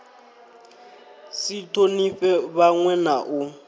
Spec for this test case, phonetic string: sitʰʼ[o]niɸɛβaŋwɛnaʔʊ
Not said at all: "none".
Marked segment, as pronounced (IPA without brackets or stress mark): o